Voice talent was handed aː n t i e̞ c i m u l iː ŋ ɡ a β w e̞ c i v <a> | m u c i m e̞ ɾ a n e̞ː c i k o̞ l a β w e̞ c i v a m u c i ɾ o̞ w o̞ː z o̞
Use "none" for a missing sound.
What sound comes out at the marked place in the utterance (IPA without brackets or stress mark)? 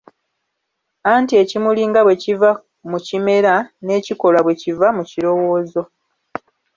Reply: a